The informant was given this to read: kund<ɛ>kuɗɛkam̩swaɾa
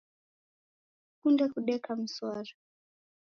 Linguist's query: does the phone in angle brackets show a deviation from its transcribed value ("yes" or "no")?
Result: no